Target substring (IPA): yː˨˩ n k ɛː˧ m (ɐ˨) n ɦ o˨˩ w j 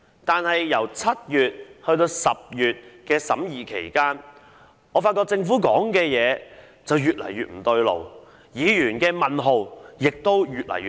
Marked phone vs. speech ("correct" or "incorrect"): correct